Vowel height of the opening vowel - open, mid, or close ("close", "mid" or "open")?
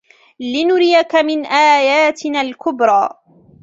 close